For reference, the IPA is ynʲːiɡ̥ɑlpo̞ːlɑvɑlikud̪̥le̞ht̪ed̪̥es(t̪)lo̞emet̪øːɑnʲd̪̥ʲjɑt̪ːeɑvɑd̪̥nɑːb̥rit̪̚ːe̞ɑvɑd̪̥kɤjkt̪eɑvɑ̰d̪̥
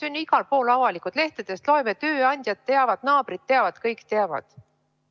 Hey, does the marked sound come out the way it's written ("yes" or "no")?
yes